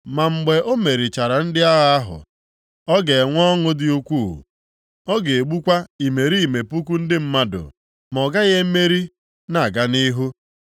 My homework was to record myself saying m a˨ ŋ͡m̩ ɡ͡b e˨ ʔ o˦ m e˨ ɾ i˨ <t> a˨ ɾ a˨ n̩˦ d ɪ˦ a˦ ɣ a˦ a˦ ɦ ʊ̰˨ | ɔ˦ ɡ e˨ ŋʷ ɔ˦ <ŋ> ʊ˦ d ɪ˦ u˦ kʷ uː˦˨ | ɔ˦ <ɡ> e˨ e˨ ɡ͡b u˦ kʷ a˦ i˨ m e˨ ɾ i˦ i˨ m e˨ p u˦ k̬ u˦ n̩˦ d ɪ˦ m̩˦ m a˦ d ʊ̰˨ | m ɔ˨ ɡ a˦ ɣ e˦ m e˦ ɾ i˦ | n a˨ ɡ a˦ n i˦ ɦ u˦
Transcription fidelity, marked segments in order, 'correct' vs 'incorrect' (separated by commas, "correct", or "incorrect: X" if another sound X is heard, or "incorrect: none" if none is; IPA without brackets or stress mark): incorrect: t͡ʃ, correct, correct